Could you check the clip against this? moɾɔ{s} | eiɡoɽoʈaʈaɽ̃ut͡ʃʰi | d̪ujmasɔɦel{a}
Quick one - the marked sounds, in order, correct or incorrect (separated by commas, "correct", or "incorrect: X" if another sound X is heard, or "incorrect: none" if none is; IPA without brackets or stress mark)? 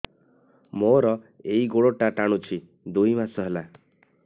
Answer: incorrect: none, correct